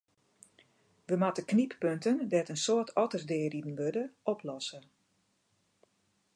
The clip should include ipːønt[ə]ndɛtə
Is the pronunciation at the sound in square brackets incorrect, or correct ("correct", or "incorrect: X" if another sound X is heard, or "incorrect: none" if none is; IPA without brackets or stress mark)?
correct